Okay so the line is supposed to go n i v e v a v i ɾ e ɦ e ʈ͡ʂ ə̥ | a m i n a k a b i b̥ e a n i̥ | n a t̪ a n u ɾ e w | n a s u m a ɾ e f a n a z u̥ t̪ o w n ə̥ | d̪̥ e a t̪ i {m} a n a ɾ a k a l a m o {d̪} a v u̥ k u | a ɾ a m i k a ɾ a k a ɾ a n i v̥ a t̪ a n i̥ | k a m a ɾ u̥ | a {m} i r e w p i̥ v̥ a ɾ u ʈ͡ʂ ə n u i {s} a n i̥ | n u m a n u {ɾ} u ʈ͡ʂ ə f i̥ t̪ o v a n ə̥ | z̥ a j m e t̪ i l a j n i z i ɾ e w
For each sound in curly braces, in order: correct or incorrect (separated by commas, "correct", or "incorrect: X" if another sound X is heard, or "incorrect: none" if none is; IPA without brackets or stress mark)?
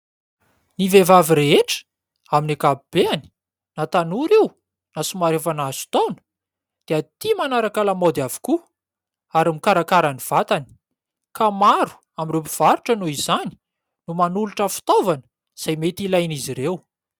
correct, correct, correct, incorrect: z, incorrect: l